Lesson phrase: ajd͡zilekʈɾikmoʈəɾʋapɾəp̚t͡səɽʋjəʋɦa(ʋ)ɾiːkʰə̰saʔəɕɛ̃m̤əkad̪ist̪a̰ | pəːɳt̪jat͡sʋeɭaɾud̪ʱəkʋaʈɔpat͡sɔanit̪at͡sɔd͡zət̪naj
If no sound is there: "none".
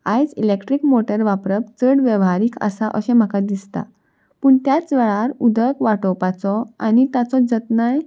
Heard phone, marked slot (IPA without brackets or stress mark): none